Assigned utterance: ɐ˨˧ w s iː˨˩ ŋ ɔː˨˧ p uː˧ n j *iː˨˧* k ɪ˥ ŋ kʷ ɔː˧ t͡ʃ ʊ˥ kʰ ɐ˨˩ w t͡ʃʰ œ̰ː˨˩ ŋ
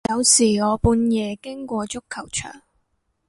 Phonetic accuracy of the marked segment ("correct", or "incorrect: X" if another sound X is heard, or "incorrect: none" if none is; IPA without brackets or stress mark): incorrect: ɛː˨˧